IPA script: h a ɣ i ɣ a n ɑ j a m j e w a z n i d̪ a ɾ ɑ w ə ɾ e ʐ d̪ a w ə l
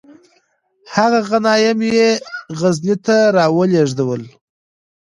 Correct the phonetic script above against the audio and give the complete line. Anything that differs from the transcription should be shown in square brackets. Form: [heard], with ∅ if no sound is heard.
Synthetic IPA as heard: h a ɣ [a] ɣ a n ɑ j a m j e [ɣ] a z n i [t̪] a ɾ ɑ w ə [l] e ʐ d̪ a w ə l